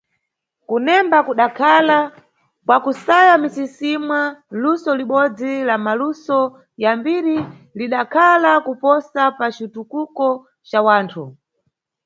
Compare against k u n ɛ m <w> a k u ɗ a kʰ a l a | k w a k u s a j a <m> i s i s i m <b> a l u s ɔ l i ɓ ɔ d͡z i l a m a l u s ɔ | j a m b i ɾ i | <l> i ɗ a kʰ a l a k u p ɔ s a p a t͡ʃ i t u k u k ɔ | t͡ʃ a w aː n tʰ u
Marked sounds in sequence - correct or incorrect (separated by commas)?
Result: incorrect, correct, incorrect, correct